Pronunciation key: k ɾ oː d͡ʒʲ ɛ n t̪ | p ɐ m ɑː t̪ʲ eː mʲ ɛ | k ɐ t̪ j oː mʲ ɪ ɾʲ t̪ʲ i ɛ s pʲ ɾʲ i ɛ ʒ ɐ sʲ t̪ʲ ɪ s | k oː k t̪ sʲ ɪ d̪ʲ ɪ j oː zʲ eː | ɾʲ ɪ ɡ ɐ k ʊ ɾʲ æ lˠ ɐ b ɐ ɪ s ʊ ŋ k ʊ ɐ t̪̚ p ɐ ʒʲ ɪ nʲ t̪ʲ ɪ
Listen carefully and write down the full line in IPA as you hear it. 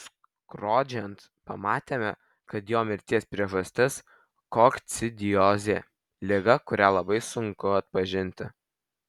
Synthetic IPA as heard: k ɾ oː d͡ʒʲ ɛ n t̪ | p ɐ m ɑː t̪ʲ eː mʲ ɛ | k ɐ t̪ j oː mʲ ɪ ɾʲ t̪ʲ i ɛ s pʲ ɾʲ i ɛ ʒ ɐ sʲ t̪ʲ ɪ s | k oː k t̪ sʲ ɪ d̪ʲ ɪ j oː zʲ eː | lʲ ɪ ɡ ɐ k ʊ ɾʲ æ lˠ ɐ b ɐ ɪ s ʊ ŋ k ʊ ɐ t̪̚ p ɐ ʒʲ ɪ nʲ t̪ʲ ɪ

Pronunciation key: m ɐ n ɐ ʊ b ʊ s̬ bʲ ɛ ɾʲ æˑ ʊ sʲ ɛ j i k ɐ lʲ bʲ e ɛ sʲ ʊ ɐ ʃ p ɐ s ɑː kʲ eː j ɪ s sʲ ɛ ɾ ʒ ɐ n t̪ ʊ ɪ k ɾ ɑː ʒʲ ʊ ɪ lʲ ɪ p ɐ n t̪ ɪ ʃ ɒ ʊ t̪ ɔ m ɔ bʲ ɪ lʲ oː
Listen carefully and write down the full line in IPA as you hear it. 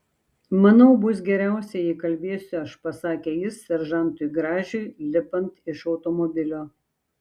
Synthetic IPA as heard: m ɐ n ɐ ʊ b ʊ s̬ ɡʲ ɛ ɾʲ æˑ ʊ sʲ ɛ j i k ɐ lʲ bʲ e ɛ sʲ ʊ ɐ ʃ p ɐ s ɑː kʲ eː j ɪ s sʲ ɛ ɾ ʒ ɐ n t̪ ʊ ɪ ɡ ɾ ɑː ʒʲ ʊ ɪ lʲ ɪ p ɐ n t̪ ɪ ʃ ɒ ʊ t̪ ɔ m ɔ bʲ ɪ lʲ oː

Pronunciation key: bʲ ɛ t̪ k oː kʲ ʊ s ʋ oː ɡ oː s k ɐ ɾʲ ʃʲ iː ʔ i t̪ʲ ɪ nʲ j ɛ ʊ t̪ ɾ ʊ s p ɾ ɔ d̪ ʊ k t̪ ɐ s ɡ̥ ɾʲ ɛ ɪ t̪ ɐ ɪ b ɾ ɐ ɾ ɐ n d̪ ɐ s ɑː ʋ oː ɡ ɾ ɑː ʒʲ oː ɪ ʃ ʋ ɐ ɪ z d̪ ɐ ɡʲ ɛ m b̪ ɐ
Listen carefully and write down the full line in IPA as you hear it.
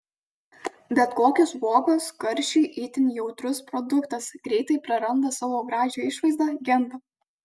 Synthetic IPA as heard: bʲ ɛ t̪ k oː kʲ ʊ s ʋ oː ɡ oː s k ɐ ɾʲ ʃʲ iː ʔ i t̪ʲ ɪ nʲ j ɛ ʊ t̪ ɾ ʊ s p ɾ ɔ d̪ ʊ k t̪ ɐ s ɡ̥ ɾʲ ɛ ɪ t̪ ɐ ɪ p ɾ ɐ ɾ ɐ n d̪ ɐ s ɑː ʋ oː ɡ ɾ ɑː ʒʲ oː ɪ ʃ ʋ ɐ ɪ z d̪ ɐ ɡʲ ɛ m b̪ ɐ

